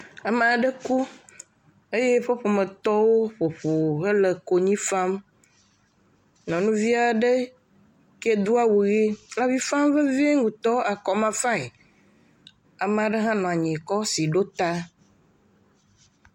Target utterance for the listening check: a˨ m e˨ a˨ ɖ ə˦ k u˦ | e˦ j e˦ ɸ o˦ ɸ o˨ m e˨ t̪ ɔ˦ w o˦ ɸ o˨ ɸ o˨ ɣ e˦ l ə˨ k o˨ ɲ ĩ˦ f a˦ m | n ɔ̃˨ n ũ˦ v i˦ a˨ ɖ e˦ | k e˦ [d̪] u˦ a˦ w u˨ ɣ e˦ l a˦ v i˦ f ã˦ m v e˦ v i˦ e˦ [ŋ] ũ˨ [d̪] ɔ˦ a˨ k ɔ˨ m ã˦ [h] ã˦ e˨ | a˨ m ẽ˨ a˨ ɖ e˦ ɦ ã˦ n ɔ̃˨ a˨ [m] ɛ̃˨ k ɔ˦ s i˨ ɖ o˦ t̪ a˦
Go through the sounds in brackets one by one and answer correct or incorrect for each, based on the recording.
correct, correct, incorrect, incorrect, incorrect

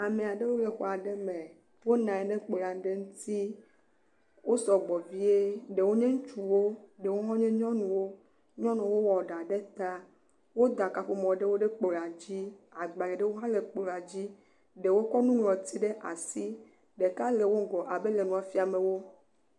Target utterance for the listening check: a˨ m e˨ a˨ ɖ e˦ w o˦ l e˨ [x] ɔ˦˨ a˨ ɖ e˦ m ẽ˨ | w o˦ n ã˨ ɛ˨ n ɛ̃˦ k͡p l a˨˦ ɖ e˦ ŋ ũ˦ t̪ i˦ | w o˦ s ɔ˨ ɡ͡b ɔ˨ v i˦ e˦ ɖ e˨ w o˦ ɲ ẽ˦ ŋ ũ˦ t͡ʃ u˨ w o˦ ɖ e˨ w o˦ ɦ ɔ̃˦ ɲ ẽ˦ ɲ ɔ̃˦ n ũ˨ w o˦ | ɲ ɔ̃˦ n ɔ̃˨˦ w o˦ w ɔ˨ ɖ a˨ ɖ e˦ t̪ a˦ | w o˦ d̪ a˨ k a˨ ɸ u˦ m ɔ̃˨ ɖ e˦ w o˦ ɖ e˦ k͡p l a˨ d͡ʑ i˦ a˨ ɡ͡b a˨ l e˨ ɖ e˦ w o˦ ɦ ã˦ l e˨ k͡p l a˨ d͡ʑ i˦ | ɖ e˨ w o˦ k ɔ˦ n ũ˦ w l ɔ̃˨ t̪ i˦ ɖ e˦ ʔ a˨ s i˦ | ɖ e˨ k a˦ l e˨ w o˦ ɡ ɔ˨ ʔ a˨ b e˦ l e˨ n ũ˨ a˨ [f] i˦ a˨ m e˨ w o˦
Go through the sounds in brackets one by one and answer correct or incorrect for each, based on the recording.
correct, correct

